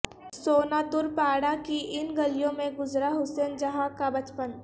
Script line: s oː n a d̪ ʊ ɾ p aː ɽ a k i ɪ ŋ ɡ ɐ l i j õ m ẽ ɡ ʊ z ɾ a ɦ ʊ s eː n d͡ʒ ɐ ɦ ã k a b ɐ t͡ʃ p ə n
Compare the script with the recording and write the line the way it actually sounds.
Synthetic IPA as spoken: s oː n a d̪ ʊ ɾ p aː ɽ a k i ɪ n ɡ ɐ l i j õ m ẽ ɡ ʊ z ɾ a ɦ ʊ s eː n d͡ʒ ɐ ɦ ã k a b ɐ t͡ʃ p ə n